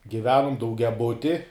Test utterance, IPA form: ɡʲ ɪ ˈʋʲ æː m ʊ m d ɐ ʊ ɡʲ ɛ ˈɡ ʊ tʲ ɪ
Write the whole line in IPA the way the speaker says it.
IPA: ɡʲ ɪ ˈʋʲ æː n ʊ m d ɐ ʊ ɡʲ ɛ ˈb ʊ tʲ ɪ

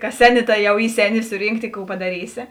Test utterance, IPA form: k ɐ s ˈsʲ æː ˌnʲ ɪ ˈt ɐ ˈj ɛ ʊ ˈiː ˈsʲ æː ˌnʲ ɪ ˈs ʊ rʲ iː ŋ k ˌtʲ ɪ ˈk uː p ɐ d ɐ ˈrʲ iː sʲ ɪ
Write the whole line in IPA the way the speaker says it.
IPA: k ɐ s ˈsʲ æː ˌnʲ ɪ ˈt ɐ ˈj ɛ ʊ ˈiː ˈsʲ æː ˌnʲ ɪ ˈs ʊ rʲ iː ŋ k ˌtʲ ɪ ˈk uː p ɐ d ɐ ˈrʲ iː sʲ ɪ

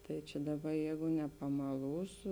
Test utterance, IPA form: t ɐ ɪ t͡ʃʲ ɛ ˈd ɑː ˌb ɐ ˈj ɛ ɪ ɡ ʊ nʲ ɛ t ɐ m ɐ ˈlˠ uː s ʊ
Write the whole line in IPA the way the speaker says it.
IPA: t ɐ ɪ t͡ʃʲ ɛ ˈd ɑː ˌb ɐ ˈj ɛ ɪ ɡ ʊ nʲ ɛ p ɐ m ɐ ˈlˠ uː s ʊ

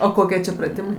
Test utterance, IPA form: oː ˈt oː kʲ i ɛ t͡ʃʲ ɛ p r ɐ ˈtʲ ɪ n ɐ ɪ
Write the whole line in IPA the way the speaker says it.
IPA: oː ˈk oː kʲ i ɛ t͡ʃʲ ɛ p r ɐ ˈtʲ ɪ m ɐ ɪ

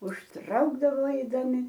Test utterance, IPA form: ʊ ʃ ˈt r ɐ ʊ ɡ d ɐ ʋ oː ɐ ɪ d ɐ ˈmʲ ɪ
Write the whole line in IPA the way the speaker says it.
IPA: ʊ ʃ ˈt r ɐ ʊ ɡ d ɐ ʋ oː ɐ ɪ d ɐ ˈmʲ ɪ

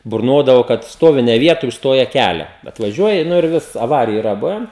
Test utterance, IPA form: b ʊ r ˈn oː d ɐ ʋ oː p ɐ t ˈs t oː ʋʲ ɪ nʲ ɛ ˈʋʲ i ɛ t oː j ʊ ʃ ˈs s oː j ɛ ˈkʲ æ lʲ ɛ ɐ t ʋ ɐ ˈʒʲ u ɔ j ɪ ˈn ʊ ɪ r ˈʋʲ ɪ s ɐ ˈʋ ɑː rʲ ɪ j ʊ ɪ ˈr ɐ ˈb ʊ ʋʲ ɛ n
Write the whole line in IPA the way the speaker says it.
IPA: b ʊ r ˈn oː d ɐ ʋ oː k ɐ t ˈs t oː ʋʲ ɪ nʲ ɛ ˈʋʲ i ɛ t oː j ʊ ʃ ˈs t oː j ɛ ˈkʲ æ lʲ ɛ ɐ t ʋ ɐ ˈʒʲ u ɔ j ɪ ˈn ʊ ɪ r ˈʋʲ ɪ s ɐ ˈʋ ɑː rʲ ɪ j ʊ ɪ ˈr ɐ ˈb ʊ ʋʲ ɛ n

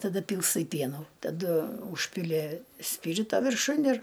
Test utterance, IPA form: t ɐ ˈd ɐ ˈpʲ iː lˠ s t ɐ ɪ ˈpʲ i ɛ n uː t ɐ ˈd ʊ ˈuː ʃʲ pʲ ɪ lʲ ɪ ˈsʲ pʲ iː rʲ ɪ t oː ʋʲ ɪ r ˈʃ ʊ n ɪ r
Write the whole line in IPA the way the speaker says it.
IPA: t ɐ ˈd ɐ ˈpʲ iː lˠ s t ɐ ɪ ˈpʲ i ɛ n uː t ɐ ˈd ʊ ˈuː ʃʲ pʲ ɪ lʲ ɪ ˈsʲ pʲ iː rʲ ɪ t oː ʋʲ ɪ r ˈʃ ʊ n ɪ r

